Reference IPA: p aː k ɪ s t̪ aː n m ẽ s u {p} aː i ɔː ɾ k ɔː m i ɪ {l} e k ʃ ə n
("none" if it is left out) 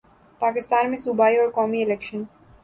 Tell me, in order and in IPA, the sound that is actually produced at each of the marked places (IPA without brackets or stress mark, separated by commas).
b, l